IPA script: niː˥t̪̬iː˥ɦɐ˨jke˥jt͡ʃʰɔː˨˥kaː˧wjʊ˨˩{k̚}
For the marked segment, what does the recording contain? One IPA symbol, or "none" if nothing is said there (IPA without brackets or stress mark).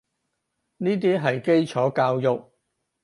k̚